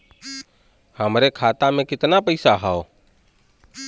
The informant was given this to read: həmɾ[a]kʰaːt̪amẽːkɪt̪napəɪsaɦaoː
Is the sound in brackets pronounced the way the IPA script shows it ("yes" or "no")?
no